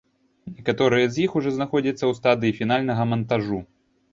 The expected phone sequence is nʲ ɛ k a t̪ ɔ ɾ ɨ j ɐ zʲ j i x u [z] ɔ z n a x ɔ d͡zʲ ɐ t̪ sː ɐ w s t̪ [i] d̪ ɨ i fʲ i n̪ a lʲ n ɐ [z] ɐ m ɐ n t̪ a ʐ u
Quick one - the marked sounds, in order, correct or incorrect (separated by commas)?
incorrect, incorrect, incorrect